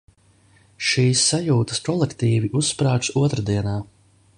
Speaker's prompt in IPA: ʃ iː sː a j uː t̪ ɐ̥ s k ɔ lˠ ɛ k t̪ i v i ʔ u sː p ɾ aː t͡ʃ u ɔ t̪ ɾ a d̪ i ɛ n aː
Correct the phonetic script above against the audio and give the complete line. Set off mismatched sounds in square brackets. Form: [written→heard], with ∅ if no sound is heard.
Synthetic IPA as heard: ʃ iː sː a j uː t̪ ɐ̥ s k ɔ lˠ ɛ k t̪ [i→iː] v i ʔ u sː p ɾ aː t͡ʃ u ɔ t̪ ɾ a d̪ i ɛ n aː